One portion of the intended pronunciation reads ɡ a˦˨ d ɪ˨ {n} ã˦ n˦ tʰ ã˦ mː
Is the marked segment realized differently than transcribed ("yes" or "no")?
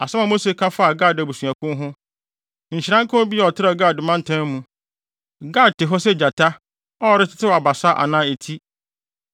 yes